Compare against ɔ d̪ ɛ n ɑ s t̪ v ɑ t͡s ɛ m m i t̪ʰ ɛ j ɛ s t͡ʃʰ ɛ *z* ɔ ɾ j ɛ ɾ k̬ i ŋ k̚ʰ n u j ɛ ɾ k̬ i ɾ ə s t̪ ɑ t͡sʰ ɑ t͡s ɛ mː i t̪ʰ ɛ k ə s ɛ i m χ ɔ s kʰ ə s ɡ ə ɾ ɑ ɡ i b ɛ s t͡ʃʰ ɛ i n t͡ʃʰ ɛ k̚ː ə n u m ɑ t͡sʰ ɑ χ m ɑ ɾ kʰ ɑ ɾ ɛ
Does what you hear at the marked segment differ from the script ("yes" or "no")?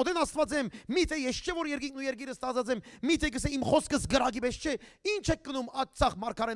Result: yes